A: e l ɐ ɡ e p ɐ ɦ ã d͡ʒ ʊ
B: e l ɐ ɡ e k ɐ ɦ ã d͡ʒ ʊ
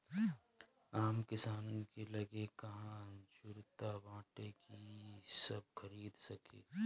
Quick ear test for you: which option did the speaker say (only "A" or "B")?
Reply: B